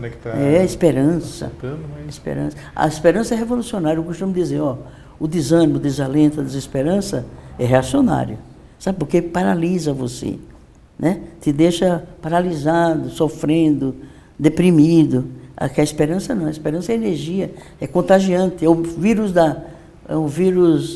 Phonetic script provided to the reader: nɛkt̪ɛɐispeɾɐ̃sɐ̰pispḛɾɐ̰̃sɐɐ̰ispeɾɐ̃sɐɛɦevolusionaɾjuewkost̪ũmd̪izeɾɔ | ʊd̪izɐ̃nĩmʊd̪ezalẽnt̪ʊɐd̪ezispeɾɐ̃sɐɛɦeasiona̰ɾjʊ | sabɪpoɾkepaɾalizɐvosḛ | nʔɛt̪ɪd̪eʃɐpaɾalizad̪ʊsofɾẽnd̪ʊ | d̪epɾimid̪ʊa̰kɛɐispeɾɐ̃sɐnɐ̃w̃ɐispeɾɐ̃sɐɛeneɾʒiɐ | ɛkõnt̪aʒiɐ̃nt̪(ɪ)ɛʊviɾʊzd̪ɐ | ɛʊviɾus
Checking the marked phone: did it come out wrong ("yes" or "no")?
no